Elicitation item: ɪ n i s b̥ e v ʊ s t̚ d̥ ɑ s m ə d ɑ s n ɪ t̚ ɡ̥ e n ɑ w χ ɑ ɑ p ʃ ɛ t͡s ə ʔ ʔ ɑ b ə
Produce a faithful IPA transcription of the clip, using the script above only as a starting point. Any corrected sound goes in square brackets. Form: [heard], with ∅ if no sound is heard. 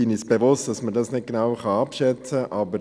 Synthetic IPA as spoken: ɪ n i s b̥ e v ʊ s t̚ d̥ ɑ s m ə d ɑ s n ɪ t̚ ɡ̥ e n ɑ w χ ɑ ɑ p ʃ ɛ t͡s ə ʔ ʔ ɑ b ə